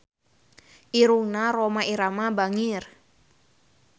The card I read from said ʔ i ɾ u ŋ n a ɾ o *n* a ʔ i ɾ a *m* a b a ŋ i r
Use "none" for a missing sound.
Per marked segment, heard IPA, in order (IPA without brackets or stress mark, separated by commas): m, m